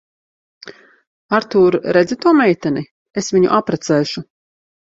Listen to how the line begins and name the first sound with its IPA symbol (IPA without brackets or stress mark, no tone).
a